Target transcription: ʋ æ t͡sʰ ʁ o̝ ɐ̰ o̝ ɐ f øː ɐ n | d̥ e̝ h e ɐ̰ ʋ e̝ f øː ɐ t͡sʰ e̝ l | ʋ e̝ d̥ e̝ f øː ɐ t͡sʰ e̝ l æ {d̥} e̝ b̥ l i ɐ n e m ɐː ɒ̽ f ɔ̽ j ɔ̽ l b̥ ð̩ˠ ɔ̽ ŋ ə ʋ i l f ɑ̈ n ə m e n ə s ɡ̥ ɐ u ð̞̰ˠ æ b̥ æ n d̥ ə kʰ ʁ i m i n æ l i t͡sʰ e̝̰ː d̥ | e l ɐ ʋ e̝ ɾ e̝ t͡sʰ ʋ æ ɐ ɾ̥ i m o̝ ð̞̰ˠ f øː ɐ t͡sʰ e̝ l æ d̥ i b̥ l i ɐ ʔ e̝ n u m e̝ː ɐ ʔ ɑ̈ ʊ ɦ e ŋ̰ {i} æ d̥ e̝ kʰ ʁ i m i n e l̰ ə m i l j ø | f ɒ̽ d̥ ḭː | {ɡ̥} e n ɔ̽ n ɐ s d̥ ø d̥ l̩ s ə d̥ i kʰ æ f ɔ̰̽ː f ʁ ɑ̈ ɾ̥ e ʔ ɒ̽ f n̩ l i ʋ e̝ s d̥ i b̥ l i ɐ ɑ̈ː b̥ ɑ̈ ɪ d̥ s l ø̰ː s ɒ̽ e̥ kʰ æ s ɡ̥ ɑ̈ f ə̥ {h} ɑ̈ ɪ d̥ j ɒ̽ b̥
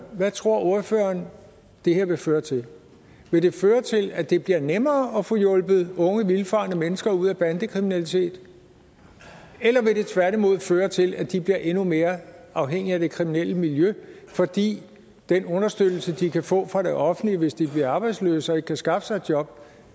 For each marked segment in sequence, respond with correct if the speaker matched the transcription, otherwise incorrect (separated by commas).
correct, correct, incorrect, incorrect